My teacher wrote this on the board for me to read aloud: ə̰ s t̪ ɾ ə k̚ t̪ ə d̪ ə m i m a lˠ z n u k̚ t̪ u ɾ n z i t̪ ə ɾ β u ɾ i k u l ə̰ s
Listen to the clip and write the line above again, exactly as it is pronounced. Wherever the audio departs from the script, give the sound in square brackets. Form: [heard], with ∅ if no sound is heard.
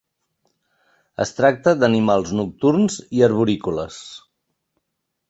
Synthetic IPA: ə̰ s t̪ ɾ [a] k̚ t̪ ə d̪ ə [n] i m a lˠ z n u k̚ t̪ u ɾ n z i [∅] ə ɾ β u ɾ i k u l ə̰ s